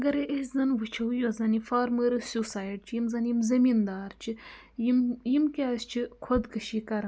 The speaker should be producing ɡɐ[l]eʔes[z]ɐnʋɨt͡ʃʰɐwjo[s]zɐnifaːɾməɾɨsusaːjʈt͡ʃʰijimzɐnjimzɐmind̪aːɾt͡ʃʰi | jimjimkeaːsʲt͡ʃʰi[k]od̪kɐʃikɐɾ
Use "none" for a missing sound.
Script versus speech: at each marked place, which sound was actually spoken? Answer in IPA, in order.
ɾ, z, none, kʰ

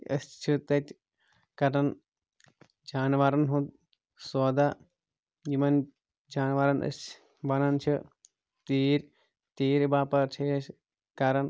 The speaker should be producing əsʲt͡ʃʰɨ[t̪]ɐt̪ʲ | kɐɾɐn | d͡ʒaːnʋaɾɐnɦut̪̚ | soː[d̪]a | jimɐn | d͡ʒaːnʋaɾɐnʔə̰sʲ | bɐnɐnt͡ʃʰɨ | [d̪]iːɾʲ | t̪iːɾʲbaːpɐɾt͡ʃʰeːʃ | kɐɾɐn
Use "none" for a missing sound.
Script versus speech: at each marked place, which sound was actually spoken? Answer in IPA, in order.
t̪, d̪, t̪

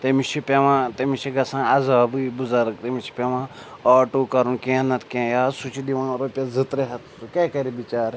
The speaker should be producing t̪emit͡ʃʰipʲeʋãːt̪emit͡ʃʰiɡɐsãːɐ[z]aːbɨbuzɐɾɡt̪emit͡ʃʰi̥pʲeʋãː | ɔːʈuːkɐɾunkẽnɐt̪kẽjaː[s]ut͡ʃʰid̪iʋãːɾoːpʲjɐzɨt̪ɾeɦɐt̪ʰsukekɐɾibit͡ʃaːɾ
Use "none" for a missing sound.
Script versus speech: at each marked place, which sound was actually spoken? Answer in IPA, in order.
z, s

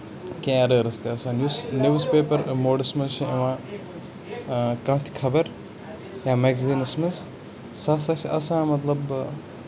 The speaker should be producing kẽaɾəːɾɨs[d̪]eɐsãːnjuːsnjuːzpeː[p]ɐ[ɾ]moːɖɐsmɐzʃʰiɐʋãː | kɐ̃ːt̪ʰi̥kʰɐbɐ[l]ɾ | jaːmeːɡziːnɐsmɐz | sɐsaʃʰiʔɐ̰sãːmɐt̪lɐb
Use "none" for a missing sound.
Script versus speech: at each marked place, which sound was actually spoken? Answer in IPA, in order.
t̪, p, ɾ, none

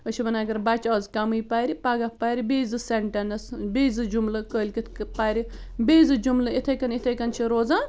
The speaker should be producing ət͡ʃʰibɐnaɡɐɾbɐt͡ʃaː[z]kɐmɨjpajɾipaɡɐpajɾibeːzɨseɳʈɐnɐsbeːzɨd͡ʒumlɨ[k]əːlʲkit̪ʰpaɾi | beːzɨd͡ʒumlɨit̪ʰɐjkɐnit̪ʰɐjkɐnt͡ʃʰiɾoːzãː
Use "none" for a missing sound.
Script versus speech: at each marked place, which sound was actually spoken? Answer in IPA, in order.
z, k

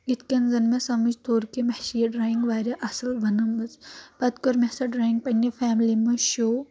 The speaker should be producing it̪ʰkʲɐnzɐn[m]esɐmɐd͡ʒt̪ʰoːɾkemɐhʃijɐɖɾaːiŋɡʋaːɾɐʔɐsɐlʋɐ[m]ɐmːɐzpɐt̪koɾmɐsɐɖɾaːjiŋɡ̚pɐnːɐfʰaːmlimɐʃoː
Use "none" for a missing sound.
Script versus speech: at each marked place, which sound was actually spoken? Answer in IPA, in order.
m, n

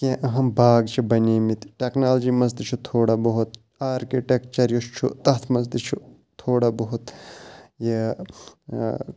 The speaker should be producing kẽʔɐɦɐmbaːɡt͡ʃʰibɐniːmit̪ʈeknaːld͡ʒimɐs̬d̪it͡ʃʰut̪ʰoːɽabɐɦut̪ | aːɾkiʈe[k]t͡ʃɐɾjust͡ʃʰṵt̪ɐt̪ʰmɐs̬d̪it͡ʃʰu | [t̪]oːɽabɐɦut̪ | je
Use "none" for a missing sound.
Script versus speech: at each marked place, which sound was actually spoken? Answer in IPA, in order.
k, t̪ʰ

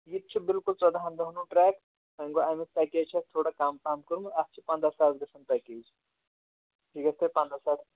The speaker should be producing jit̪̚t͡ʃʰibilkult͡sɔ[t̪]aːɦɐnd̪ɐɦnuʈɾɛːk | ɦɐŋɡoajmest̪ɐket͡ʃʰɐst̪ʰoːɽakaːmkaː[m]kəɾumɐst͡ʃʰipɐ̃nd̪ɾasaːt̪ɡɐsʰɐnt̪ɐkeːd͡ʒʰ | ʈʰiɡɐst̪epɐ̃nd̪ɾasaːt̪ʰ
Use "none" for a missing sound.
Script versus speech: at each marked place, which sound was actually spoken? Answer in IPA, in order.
d̪, m

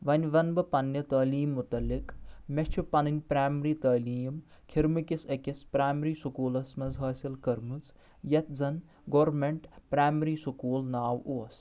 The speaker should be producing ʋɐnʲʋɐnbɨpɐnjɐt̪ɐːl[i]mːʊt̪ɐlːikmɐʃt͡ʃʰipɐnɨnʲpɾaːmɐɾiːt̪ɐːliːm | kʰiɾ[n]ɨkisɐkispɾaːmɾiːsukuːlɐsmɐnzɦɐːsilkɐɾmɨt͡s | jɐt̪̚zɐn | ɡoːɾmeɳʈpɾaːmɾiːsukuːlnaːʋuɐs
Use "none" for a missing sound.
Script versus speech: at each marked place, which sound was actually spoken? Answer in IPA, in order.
iː, m

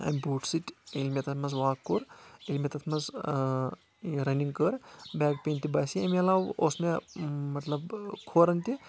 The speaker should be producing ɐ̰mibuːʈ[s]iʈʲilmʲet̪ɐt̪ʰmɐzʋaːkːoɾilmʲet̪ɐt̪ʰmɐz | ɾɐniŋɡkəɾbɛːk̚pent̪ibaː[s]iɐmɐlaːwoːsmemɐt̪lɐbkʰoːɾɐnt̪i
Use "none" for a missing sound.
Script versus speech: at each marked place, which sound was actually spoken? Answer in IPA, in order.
s, s

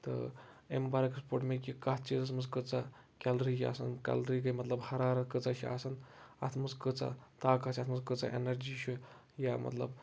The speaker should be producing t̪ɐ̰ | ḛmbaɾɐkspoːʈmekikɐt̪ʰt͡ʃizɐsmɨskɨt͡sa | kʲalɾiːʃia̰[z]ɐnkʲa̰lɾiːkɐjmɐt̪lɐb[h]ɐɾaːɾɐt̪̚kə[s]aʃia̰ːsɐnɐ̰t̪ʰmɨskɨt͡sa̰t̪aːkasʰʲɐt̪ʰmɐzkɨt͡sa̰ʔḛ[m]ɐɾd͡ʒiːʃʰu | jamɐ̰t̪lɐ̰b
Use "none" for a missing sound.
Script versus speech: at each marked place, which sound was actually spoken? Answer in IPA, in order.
s, h, t͡s, n

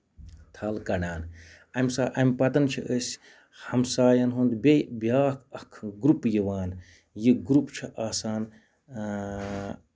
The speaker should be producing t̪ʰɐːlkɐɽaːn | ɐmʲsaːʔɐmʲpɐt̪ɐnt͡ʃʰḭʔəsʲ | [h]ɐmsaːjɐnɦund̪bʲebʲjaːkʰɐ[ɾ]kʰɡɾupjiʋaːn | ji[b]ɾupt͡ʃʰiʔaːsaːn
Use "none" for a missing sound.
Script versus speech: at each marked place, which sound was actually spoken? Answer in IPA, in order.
h, none, ɡ

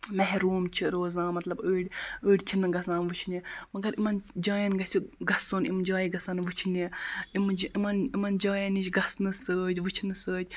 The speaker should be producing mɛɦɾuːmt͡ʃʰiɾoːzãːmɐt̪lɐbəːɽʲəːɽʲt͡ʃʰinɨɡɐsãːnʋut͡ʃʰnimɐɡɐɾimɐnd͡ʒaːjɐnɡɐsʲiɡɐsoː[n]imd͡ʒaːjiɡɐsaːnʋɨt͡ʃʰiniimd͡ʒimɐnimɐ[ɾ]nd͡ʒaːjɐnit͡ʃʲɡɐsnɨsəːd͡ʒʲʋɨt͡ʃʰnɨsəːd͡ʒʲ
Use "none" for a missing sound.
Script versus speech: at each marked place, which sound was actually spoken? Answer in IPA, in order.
n, none

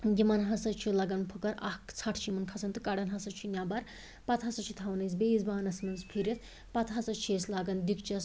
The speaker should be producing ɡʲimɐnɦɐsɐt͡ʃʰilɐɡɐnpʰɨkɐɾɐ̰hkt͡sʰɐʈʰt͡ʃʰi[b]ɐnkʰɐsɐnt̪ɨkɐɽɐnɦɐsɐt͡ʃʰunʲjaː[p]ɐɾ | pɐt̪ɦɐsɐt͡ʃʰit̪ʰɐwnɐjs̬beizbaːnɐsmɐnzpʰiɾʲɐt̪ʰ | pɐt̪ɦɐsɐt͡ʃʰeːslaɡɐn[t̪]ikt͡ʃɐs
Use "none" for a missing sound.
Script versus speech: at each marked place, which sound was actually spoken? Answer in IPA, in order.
m, b, d̪

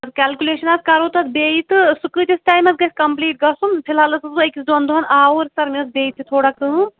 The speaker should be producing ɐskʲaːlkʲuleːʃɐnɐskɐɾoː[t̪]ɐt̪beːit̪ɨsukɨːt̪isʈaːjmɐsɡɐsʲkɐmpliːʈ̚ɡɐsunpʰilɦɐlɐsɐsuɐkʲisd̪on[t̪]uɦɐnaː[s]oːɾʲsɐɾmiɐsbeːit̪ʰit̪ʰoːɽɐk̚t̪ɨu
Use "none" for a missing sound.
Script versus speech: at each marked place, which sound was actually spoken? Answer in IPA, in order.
t̪, d̪, none

